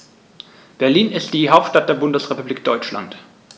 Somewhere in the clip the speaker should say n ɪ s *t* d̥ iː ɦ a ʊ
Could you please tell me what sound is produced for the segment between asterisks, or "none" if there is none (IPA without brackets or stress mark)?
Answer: t